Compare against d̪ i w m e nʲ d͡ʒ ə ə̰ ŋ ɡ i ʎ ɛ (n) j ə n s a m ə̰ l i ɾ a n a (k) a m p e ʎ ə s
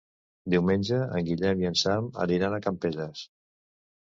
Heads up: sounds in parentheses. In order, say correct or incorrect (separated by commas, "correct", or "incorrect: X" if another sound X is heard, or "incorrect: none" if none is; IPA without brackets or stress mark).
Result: incorrect: m, correct